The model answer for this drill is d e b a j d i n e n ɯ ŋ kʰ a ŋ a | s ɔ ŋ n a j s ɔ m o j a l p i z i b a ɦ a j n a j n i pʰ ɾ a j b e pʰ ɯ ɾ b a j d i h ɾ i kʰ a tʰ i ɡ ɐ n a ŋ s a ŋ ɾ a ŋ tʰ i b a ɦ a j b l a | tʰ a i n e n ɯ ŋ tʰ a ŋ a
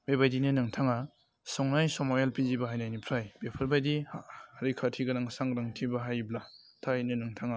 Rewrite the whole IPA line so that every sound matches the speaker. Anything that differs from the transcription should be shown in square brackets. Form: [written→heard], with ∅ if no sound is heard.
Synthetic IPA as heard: [d→b] e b a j d i n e n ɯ ŋ [kʰ→tʰ] a ŋ a | s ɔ ŋ n a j s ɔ m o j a l p i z i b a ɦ a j n a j n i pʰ ɾ a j b e pʰ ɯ ɾ b a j d i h ɾ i kʰ a tʰ i ɡ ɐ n a ŋ s a ŋ ɾ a ŋ tʰ i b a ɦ a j b l a | tʰ a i n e n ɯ ŋ tʰ a ŋ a